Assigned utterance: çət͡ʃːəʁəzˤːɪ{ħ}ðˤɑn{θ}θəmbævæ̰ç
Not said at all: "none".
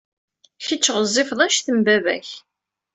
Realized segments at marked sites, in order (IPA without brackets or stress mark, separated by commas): f, ʃ